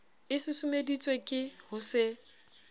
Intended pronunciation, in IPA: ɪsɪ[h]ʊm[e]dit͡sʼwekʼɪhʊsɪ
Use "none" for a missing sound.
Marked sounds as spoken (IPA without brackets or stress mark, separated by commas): s, e